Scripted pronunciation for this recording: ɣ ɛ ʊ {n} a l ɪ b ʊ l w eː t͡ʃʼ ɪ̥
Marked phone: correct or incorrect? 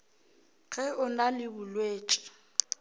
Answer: correct